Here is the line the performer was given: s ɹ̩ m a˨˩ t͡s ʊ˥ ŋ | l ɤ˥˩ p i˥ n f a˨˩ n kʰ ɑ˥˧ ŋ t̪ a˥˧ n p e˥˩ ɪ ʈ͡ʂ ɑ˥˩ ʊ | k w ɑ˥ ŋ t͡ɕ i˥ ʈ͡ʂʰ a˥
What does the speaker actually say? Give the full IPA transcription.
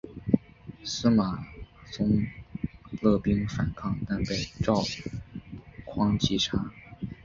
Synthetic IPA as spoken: s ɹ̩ m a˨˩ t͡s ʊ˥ ŋ | l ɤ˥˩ p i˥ ŋ f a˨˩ n kʰ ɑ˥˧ ŋ t̪ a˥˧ n p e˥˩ ɪ ʈ͡ʂ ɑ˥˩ ʊ | kʰ w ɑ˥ ŋ t͡ɕ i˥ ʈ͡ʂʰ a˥